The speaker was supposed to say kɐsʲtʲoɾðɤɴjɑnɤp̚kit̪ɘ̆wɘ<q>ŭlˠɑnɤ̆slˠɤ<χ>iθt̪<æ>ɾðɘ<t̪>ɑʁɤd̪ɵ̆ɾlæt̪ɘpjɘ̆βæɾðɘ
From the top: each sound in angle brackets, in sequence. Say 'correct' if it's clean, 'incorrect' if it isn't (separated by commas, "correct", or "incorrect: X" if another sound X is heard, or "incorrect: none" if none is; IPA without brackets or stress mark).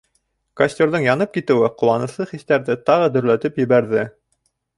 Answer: correct, correct, correct, correct